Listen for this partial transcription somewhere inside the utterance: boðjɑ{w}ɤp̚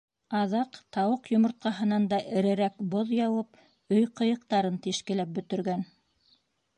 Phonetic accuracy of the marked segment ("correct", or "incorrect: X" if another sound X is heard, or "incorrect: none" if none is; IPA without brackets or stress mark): correct